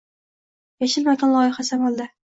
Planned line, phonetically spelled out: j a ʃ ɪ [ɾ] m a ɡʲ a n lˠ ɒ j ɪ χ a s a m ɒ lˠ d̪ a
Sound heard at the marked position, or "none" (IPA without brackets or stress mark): l